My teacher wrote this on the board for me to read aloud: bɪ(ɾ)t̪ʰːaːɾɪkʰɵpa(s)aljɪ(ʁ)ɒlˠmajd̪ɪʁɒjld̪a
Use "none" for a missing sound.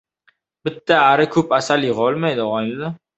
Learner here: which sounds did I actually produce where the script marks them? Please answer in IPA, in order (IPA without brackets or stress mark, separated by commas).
none, s, ʁ